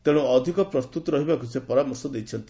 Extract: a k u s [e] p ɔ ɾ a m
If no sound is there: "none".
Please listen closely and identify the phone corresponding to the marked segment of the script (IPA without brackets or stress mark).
e